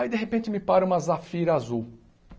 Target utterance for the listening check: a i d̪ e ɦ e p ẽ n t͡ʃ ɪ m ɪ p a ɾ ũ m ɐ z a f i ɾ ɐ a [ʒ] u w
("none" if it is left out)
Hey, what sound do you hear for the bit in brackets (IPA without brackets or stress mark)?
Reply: z